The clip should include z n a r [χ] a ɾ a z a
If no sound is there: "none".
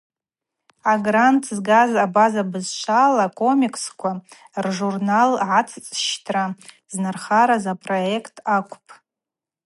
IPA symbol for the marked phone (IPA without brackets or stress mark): χ